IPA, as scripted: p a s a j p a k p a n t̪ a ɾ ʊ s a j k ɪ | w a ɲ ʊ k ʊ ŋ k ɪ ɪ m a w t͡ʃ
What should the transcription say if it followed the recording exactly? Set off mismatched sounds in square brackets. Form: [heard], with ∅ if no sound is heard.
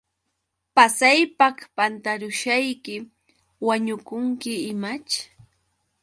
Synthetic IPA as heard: p a s a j p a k p a n t̪ a ɾ ʊ [ʃ] a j k ɪ | w a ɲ ʊ k ʊ ŋ k ɪ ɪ m a [∅] t͡ʃ

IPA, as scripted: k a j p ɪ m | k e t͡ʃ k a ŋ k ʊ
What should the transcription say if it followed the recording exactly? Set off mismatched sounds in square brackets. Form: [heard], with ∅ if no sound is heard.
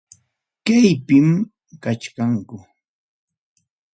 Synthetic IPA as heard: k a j p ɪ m | k [a] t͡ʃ k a ŋ k ʊ

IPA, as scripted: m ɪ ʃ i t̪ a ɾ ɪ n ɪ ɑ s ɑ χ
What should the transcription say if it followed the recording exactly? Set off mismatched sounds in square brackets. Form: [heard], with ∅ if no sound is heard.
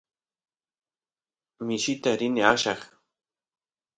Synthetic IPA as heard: m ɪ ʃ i t̪ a ɾ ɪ n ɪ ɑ [ʃ] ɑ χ

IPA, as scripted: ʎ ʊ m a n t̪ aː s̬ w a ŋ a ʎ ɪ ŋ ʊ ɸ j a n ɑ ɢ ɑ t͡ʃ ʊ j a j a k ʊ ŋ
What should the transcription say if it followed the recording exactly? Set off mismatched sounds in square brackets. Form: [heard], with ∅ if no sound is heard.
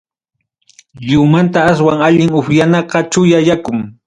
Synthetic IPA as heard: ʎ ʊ m a n t̪ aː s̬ w a ŋ a ʎ ɪ ŋ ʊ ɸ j a n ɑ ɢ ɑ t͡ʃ ʊ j a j a k ʊ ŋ

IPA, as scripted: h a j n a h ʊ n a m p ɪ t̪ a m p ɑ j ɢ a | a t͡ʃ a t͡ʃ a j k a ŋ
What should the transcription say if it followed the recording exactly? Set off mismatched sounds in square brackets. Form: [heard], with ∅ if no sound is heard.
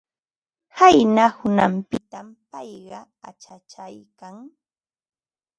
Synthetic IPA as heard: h a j n a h ʊ n a m p ɪ t̪ a m p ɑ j ɢ [ɑ] | a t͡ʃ a t͡ʃ a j k a ŋ

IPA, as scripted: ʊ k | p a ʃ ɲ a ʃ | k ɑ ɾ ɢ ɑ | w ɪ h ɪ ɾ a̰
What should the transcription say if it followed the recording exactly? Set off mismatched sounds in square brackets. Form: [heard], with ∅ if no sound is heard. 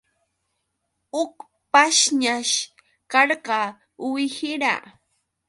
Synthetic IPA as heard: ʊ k | p a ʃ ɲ a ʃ | k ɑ ɾ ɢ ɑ | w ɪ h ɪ ɾ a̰

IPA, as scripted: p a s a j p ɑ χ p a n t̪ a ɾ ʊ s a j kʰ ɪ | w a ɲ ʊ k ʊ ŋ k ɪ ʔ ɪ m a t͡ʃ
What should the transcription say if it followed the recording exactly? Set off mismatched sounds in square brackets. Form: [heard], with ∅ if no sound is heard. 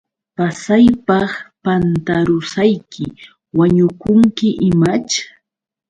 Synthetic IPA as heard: p a s a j p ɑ χ p a n t̪ a ɾ ʊ s a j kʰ ɪ | w a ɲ ʊ k ʊ ŋ k ɪ ʔ ɪ m a t͡ʃ

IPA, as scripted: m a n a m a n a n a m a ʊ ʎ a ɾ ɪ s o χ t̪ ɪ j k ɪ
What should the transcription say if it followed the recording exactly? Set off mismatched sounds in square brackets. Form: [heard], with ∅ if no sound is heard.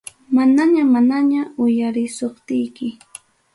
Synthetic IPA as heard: m a n a [ɲ] a [m] a n a [ɲ] a ʊ [j] a ɾ ɪ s o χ t̪ ɪ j k ɪ

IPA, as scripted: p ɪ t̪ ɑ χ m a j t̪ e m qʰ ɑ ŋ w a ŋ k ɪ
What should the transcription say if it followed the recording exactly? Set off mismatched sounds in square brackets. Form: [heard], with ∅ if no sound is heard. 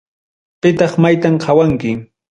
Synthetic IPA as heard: p ɪ t̪ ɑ χ m a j t̪ [a] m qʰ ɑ [∅] w a ŋ k ɪ

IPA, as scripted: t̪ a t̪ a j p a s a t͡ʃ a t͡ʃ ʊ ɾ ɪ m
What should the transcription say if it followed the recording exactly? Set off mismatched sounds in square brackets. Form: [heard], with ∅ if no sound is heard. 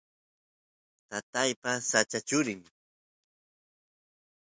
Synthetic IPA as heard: t̪ a t̪ a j p a s a t͡ʃ a t͡ʃ ʊ ɾ ɪ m

